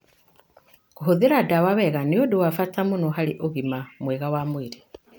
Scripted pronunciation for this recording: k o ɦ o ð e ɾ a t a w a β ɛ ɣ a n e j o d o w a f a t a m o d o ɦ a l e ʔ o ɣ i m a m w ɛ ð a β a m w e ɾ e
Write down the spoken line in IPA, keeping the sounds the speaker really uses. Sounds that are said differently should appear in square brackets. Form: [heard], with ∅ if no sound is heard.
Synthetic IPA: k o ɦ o ð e ɾ a [d] a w a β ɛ ɣ a n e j o d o w a f a t a m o [n] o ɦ a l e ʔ o ɣ i m a m w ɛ [ɣ] a [w] a m w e ɾ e